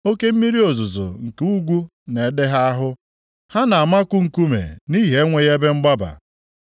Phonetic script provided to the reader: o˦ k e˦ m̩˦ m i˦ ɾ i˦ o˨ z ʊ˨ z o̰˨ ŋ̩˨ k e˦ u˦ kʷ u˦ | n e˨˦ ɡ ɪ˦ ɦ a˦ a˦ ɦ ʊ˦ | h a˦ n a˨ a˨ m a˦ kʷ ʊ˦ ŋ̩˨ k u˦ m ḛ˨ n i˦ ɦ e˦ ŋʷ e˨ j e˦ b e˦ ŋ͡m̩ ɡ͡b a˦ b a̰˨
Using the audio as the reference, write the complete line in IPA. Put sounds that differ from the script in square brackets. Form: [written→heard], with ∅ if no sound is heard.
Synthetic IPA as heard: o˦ k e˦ m̩˦ m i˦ ɾ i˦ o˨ z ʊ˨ z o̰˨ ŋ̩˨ k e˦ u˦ [kʷ→ɡʷ] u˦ | n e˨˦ [ɡ→d] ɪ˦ ɦ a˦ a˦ ɦ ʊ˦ | h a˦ n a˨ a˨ m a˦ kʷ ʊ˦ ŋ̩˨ k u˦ m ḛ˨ n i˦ ɦ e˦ ŋʷ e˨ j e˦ b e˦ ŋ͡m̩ ɡ͡b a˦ b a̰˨